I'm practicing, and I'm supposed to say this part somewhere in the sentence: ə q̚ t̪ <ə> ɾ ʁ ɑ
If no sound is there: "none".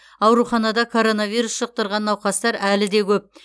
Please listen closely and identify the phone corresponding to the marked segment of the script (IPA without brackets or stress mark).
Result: ə